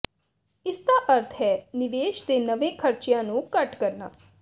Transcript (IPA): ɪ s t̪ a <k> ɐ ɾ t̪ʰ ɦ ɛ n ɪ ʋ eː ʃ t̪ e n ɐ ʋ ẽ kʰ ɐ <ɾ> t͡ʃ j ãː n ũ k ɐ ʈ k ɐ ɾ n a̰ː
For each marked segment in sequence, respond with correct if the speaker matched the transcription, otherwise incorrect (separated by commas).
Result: incorrect, correct